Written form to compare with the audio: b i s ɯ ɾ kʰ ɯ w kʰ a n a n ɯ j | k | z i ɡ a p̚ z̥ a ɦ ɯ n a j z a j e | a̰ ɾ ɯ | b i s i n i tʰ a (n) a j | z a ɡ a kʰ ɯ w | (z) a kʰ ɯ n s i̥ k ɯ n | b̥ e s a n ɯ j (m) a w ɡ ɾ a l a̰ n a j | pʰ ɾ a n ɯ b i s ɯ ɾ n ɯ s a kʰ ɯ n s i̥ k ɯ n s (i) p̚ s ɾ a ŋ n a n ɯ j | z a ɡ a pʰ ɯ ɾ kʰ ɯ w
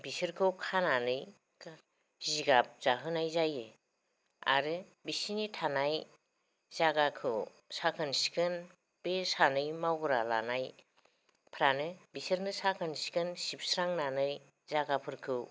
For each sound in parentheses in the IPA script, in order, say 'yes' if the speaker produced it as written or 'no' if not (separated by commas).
yes, no, yes, yes